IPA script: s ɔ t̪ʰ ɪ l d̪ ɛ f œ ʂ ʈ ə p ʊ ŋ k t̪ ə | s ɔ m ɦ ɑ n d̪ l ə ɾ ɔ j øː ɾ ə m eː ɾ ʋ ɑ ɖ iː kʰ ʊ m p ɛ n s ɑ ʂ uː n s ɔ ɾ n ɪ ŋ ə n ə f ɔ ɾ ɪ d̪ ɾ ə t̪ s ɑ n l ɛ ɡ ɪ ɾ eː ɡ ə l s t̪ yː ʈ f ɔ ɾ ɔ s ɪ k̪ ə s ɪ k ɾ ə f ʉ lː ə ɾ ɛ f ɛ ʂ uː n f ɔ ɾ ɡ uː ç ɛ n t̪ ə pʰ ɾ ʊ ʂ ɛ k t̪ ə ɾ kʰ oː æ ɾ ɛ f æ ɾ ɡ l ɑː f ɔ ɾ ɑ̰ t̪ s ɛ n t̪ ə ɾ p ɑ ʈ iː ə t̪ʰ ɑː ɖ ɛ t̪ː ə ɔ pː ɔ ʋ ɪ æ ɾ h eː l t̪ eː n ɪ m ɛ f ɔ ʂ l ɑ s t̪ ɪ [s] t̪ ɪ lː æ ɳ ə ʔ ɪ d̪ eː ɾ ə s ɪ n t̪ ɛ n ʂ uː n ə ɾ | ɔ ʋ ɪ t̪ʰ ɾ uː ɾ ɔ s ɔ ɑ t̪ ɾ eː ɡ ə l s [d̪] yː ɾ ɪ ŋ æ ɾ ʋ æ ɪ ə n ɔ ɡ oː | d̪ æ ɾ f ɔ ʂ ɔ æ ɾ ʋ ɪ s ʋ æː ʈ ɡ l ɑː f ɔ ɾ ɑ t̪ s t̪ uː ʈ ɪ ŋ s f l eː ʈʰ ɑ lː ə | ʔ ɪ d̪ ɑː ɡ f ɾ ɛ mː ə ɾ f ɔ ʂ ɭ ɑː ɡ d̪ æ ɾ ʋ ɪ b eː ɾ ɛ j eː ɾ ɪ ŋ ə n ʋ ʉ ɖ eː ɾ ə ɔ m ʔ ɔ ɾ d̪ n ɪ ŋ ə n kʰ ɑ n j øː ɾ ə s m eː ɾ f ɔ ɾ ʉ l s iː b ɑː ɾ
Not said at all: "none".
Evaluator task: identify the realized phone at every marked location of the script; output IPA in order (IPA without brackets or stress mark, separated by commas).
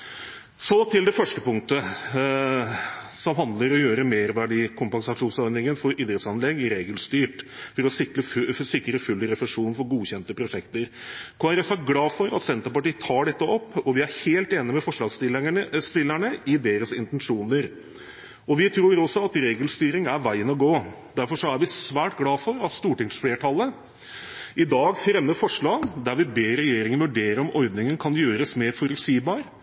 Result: s, t̪